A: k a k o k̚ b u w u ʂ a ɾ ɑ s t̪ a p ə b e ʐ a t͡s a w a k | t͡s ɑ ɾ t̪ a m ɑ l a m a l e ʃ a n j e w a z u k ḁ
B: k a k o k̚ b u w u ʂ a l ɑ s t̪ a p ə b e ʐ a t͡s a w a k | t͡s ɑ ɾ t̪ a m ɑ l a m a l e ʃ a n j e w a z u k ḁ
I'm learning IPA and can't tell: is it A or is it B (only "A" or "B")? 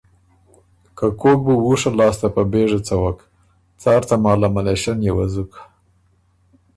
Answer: B